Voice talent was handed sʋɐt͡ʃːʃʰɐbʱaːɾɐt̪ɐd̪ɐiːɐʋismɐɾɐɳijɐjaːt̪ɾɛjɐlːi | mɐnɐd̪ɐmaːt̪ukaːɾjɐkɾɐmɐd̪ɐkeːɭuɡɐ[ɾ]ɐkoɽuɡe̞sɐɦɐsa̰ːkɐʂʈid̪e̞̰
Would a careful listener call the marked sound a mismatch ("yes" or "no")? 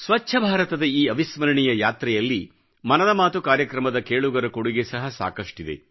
no